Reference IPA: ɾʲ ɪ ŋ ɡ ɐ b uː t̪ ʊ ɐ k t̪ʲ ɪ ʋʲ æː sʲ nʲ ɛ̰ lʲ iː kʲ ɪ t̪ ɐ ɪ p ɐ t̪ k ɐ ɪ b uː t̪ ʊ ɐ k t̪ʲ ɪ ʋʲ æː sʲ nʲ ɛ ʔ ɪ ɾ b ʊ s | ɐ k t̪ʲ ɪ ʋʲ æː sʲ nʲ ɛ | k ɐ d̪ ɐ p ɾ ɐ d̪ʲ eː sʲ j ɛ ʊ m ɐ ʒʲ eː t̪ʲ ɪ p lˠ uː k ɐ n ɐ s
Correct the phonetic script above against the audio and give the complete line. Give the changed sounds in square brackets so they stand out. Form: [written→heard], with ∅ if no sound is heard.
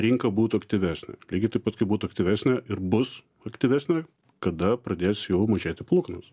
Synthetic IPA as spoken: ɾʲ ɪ ŋ [ɡ→k] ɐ b uː t̪ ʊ ɐ k t̪ʲ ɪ ʋʲ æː sʲ nʲ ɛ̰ lʲ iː [kʲ→ɡʲ] ɪ t̪ ɐ ɪ p ɐ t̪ k ɐ ɪ b uː t̪ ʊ ɐ k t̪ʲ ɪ ʋʲ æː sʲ nʲ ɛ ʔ ɪ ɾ b ʊ s | ɐ k t̪ʲ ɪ ʋʲ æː sʲ nʲ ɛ | k ɐ d̪ ɐ p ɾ ɐ d̪ʲ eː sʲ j ɛ ʊ m ɐ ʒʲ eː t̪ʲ ɪ p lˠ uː k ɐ n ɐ s